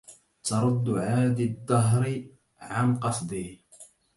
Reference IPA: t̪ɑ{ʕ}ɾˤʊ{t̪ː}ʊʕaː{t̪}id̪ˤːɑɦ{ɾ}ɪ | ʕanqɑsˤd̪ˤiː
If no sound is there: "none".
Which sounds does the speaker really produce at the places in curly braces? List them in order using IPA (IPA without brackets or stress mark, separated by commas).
none, d̪ː, d̪, ɾ